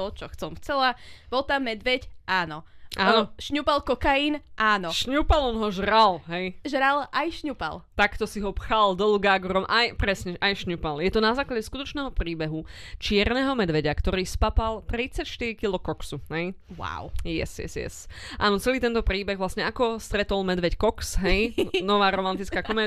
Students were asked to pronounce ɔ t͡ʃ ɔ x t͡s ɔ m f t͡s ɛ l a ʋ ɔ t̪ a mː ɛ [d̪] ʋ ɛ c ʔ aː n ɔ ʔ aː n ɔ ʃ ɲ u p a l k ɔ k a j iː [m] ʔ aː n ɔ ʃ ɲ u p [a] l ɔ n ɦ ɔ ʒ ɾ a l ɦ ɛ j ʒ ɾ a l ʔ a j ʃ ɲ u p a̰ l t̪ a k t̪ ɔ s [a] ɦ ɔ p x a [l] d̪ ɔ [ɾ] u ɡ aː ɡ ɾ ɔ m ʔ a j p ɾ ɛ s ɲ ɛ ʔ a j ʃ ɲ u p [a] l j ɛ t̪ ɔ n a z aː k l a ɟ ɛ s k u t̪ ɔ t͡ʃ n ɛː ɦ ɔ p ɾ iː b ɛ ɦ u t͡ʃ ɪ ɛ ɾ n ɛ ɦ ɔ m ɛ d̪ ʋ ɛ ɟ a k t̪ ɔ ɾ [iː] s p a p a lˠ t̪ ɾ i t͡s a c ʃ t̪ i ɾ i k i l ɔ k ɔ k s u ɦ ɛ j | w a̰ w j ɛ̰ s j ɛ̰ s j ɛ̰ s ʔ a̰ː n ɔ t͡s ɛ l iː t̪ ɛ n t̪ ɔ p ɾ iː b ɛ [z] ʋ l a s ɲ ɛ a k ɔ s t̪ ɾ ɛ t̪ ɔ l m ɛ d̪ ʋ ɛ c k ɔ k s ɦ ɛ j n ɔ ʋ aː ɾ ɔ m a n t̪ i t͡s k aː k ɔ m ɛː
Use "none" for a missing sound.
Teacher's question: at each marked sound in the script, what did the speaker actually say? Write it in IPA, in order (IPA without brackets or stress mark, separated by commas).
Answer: d̪, n, a, i, l, l, a, iː, ɣ